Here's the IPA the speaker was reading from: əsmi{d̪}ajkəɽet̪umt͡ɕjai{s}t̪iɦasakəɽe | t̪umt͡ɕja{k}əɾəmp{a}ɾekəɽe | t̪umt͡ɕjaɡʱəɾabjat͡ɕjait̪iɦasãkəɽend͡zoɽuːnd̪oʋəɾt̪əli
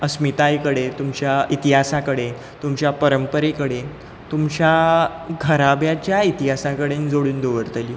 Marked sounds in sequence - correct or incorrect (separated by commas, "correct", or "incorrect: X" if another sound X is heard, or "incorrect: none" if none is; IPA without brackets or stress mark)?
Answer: incorrect: t̪, incorrect: none, incorrect: p, incorrect: ə